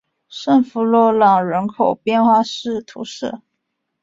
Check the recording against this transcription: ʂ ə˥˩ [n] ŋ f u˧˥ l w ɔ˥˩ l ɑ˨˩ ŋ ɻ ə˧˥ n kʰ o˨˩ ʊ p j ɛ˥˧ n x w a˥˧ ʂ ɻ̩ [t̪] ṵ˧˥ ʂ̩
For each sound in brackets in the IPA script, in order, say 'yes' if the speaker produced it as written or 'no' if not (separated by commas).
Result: no, no